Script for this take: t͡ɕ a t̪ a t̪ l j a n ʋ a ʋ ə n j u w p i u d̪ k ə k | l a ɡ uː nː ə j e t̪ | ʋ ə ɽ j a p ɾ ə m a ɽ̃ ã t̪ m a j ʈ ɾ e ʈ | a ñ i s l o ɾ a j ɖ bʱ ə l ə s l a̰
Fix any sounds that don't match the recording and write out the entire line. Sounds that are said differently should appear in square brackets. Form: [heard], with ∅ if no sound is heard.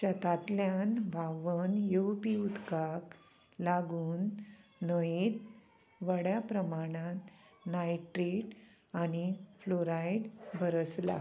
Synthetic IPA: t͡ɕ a t̪ a t̪ l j a n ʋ a ʋ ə n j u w p i u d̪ k [a] k | l a ɡ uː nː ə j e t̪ | ʋ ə ɽ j a p ɾ ə m a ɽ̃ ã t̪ [n] a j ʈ ɾ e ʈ | a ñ i [f] l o ɾ a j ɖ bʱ ə [ɾ] ə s l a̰